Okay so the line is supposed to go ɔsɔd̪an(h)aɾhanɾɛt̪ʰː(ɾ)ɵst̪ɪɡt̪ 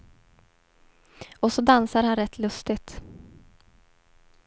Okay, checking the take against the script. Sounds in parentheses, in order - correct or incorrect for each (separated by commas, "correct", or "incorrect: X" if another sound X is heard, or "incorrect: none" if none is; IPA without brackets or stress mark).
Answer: incorrect: s, incorrect: l